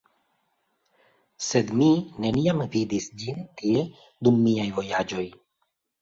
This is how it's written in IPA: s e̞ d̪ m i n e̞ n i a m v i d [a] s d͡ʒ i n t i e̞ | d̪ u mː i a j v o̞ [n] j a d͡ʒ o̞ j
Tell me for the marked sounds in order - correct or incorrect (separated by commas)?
incorrect, incorrect